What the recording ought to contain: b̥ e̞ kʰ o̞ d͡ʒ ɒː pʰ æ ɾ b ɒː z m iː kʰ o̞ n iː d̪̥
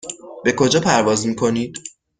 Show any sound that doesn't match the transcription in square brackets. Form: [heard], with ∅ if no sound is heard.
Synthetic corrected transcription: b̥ e̞ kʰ o̞ d͡ʒ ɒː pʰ æ ɾ [v] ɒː z m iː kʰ o̞ n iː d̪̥